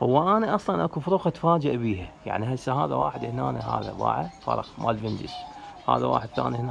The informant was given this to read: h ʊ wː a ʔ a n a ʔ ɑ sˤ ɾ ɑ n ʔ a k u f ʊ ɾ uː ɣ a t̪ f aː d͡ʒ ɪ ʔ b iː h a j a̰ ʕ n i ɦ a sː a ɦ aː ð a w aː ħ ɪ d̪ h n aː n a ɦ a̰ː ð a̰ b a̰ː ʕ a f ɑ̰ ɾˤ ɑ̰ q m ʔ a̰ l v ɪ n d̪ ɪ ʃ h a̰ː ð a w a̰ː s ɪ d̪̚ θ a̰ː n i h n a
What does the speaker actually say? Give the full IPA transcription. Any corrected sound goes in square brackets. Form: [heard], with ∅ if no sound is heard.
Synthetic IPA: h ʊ wː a ʔ a n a ʔ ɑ sˤ [l] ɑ n ʔ a k u f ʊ ɾ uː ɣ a t̪ f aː d͡ʒ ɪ ʔ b iː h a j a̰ ʕ n i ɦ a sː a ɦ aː ð a w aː ħ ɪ d̪ h n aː n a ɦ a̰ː ð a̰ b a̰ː ʕ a f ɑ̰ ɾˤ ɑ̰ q m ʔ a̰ l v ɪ n d̪ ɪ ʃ h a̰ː ð a w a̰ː [ħ] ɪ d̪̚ θ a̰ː n i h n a